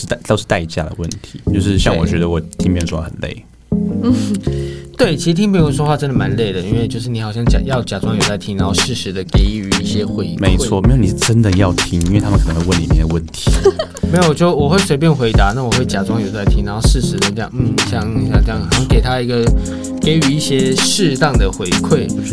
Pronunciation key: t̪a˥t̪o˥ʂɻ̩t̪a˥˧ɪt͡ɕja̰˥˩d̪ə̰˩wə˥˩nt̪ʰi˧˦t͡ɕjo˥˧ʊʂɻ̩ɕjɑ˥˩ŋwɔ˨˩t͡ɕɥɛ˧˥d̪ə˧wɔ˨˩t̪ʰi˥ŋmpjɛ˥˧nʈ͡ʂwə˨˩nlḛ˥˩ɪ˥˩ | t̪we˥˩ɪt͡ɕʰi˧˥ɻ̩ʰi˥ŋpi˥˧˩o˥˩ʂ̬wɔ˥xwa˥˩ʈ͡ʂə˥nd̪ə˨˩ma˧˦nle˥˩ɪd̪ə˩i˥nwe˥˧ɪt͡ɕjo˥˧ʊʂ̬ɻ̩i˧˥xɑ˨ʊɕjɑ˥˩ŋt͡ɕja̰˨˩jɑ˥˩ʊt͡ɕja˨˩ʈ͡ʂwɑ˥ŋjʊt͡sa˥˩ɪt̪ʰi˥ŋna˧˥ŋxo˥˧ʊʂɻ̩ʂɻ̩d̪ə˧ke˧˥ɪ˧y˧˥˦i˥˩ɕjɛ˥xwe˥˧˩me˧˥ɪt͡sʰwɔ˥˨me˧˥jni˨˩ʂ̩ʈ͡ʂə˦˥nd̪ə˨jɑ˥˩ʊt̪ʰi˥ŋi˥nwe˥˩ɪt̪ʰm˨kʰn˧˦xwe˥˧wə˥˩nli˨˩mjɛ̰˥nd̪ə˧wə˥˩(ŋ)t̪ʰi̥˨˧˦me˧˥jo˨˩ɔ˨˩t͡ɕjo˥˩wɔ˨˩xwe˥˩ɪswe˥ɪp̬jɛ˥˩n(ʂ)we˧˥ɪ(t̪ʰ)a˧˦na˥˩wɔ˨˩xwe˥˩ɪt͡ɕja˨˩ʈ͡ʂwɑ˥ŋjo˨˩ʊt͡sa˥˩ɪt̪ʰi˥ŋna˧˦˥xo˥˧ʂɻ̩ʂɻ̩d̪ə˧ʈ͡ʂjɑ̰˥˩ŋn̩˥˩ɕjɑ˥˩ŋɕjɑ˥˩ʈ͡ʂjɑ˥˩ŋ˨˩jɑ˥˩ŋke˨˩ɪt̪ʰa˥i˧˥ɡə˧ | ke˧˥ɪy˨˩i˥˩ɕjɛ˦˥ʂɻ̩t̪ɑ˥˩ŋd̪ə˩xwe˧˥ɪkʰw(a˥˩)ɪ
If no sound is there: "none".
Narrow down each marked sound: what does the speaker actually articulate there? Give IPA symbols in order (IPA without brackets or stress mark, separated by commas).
n, x, t̪, e˥˩